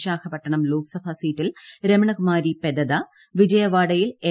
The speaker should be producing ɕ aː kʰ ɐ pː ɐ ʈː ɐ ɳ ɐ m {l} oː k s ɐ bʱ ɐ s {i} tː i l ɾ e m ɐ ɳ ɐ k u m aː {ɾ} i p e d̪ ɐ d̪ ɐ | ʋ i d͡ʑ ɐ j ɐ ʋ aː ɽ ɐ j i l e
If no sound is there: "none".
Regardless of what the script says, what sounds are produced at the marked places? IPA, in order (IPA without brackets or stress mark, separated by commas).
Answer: l, iː, ɾ